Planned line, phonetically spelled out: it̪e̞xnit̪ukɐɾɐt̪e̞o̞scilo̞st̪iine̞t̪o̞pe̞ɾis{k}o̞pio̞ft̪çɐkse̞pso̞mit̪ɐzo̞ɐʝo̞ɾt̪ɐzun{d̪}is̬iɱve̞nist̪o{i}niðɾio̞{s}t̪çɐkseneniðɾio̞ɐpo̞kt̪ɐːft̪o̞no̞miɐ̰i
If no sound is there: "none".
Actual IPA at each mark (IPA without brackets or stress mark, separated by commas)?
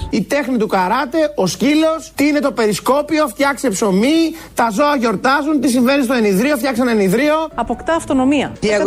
k, t̪, e, f